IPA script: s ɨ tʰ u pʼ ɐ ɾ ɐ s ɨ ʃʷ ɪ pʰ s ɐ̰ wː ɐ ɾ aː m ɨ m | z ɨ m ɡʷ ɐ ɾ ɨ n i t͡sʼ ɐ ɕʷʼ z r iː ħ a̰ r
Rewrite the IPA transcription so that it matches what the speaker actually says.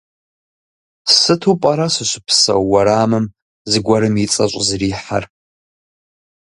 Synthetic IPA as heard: s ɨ tʰ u pʼ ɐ ɾ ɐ s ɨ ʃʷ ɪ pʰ s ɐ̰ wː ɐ ɾ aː m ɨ m | z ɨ ɡʷ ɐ ɾ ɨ m i t͡sʼ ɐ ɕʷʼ z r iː ħ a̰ r